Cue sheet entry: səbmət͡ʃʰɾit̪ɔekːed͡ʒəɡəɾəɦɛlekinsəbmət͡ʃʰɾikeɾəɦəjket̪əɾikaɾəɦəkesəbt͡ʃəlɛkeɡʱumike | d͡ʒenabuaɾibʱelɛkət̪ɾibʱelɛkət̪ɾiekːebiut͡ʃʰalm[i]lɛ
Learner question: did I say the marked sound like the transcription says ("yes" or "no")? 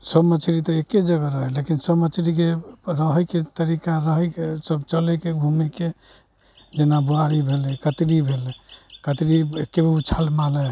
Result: no